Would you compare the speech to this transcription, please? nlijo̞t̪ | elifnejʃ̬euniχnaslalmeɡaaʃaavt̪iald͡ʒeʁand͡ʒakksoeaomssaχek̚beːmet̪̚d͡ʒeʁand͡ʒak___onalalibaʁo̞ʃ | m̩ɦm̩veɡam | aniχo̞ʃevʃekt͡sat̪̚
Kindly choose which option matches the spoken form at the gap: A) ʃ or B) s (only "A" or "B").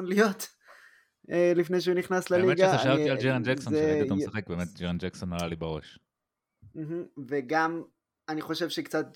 B